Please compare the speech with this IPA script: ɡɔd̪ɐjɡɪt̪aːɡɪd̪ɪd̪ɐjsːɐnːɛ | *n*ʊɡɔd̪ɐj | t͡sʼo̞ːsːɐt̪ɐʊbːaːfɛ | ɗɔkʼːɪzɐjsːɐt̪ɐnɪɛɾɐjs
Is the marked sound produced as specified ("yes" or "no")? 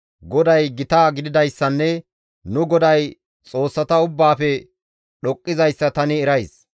yes